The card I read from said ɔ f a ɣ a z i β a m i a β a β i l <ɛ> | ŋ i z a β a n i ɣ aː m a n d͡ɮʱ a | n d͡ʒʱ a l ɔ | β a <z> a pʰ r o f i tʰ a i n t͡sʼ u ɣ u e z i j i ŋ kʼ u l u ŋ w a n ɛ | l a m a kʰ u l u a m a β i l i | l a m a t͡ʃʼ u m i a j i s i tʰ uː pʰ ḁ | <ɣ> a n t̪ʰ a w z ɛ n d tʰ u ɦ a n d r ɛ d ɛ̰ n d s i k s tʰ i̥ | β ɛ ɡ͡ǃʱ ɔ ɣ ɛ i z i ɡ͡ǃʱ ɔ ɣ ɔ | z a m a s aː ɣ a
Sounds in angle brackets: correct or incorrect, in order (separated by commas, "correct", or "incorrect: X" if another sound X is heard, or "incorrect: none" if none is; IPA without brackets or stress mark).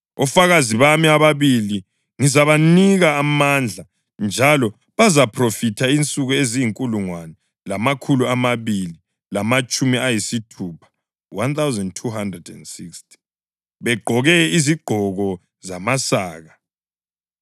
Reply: incorrect: i, correct, incorrect: w